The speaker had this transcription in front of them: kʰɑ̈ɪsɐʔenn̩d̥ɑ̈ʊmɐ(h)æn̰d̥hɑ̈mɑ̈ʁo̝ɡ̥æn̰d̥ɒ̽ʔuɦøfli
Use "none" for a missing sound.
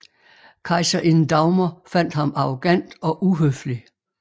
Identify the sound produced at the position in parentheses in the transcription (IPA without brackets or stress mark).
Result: f